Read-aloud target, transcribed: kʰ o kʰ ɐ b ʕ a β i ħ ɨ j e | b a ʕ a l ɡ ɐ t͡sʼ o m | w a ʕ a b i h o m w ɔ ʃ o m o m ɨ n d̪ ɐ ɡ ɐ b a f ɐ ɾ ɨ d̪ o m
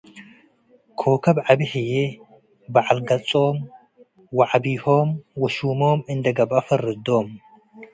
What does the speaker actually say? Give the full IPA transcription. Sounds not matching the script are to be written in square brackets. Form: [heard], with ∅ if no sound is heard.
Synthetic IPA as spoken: kʰ o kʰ ɐ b ʕ a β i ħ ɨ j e | b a ʕ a l ɡ ɐ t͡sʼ o m | w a ʕ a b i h o m w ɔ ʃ [u] m o m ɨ n d̪ ɐ ɡ ɐ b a f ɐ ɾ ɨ d̪ o m